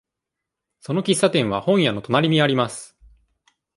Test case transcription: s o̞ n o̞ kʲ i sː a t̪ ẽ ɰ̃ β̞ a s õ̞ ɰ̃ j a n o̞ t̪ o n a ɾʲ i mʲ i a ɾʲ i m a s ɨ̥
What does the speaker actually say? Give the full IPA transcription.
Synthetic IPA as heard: s o̞ n o̞ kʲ i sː a t̪ ẽ ɰ̃ β̞ a h õ̞ ɰ̃ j a n o̞ t̪ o n a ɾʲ i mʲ i a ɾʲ i m a s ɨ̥